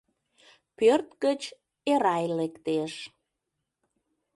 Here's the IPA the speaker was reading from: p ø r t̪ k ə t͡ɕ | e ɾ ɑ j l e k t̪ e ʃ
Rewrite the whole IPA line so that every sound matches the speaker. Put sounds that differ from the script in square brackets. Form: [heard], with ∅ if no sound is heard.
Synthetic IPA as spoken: p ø r t̪ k ə t͡ɕ | e ɾ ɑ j l e k t̪ e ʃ